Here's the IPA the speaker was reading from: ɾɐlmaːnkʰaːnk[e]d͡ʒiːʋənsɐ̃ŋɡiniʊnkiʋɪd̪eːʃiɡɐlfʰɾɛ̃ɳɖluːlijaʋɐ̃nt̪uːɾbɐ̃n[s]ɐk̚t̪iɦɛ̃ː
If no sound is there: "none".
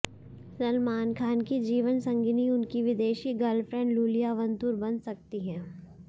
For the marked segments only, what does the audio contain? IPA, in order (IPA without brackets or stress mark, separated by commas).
i, s